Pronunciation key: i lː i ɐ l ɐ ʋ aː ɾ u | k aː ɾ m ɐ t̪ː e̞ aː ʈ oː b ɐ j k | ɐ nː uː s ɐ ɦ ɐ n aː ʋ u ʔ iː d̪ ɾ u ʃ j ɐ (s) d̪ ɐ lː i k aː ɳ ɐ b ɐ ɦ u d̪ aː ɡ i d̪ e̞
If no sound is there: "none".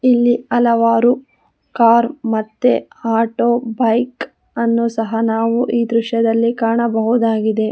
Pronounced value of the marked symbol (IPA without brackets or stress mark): none